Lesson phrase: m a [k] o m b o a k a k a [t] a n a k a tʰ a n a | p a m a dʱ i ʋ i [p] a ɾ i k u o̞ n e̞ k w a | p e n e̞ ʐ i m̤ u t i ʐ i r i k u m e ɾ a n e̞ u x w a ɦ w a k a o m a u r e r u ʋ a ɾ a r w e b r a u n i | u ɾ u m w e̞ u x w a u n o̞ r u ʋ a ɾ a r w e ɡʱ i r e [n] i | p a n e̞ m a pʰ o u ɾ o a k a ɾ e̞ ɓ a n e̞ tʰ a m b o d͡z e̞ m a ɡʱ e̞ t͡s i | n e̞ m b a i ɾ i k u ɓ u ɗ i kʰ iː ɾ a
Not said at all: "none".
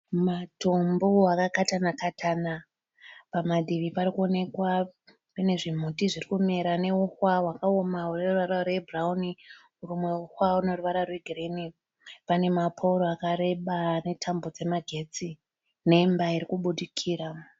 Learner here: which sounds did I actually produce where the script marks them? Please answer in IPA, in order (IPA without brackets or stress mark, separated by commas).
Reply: t, t, p, n